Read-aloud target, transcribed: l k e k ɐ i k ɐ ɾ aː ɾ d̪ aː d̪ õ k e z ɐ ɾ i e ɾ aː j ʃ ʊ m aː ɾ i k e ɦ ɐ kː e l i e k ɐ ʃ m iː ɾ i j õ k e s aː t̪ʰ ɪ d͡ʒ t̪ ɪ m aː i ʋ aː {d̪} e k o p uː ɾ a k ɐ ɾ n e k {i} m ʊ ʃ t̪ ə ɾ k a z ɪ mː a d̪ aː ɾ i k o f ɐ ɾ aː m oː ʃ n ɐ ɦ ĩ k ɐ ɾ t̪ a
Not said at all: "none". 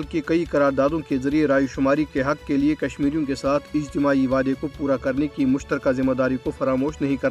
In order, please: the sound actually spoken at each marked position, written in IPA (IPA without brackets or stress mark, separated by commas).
d̪, i